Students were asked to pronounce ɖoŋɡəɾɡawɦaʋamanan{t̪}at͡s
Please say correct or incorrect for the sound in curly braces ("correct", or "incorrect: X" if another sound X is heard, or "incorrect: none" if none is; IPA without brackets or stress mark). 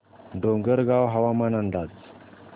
incorrect: d̪